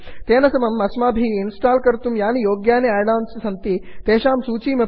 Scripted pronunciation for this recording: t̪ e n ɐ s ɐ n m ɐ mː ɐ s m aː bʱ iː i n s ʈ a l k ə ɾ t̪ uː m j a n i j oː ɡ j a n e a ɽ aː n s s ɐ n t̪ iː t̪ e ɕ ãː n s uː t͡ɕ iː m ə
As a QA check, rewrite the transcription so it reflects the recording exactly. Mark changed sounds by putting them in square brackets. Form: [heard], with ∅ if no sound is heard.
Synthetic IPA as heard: t̪ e n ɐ s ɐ [∅] m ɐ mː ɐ s m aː bʱ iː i n s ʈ a l k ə ɾ t̪ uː m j a n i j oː ɡ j a n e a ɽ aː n s s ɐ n t̪ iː t̪ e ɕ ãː [m] s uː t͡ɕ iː m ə